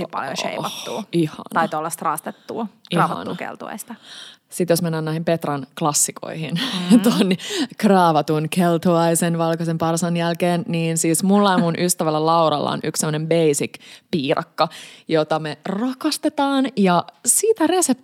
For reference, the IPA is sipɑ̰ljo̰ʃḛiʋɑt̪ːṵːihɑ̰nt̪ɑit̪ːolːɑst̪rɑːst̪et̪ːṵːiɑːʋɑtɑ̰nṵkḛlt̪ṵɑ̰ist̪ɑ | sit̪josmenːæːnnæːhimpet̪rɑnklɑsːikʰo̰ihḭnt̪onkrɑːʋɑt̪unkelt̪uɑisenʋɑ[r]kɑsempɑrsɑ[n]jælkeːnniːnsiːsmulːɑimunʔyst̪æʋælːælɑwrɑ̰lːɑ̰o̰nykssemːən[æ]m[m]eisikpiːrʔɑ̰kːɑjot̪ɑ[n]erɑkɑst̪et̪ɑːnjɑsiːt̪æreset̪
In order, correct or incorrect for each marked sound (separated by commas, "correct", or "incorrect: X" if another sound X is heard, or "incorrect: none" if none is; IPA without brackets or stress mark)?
incorrect: l, correct, incorrect: e, incorrect: b, incorrect: m